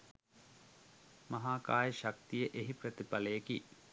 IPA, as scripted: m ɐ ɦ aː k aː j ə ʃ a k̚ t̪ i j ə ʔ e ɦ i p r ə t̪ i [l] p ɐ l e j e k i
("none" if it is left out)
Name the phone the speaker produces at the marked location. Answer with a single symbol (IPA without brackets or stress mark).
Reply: none